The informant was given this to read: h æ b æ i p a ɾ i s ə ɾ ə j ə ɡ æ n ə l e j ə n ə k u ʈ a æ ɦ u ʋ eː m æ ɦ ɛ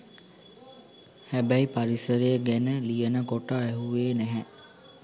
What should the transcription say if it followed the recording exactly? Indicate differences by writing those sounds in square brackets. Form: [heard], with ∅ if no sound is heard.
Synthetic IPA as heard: h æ b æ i p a ɾ i s ə ɾ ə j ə ɡ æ n ə l [i] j ə n ə k [o] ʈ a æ ɦ u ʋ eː [n] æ ɦ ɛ

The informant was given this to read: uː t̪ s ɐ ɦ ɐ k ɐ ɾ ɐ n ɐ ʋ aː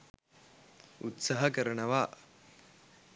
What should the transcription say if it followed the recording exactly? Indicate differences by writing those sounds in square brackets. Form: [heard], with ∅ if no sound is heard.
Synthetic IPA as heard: [u] t̪ s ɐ ɦ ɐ k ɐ ɾ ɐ [ɳ] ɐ ʋ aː

